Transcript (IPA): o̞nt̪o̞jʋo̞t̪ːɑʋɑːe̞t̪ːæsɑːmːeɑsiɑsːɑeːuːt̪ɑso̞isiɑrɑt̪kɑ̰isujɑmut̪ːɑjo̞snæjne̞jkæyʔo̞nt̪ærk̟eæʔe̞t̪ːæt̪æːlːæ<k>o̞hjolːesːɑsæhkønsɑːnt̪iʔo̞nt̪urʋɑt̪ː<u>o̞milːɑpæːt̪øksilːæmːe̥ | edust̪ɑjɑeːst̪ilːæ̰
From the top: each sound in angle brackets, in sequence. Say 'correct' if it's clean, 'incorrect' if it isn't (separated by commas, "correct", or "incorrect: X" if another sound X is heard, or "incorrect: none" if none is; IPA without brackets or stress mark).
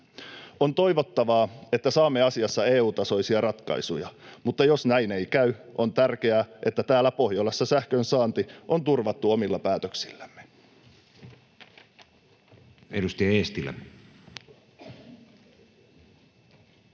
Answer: incorrect: p, correct